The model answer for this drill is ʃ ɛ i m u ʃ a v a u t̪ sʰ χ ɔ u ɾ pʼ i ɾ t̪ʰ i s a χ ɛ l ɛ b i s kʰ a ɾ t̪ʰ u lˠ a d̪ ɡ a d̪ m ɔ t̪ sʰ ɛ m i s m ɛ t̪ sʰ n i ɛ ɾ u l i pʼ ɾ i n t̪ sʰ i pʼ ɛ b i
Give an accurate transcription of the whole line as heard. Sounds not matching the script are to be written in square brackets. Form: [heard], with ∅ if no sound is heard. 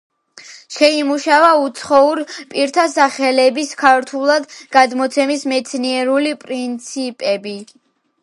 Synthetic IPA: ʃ ɛ i m u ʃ a v a u t̪ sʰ χ ɔ u ɾ pʼ i ɾ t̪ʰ [a] s a χ ɛ l ɛ b i s kʰ a ɾ t̪ʰ u lˠ a d̪ ɡ a d̪ m ɔ t̪ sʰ ɛ m i s m ɛ t̪ sʰ n i ɛ ɾ u l i pʼ ɾ i n t̪ sʰ i pʼ ɛ b i